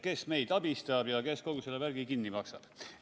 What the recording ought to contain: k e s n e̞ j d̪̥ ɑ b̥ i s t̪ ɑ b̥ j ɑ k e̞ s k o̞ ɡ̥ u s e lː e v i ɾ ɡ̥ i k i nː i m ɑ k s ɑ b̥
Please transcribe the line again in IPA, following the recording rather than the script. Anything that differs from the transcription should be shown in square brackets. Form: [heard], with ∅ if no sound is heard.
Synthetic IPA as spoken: k e s [m] e̞ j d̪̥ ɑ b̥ i s t̪ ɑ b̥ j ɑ k e̞ s k o̞ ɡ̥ u s e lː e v [æ] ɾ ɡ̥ i k i nː i m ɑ k s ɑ b̥